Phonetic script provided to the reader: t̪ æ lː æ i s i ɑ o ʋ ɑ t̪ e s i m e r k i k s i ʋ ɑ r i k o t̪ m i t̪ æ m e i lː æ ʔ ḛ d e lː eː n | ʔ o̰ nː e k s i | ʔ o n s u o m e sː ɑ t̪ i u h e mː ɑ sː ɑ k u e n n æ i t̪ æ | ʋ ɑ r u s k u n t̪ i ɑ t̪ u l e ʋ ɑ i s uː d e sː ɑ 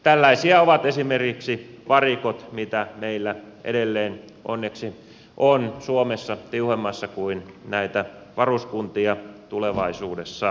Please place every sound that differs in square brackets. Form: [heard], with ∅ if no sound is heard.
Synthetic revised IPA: t̪ æ lː æ i s i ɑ o ʋ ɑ t̪ e s i m e r k i k s i ʋ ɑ r i k o t̪ m i t̪ æ m e i lː æ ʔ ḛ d e lː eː n | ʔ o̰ nː e k s i | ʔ o n s u o m e sː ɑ t̪ i u h e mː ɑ sː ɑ k u [i] n n æ i t̪ æ | ʋ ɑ r u s k u n t̪ i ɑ t̪ u l e ʋ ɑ i s uː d e sː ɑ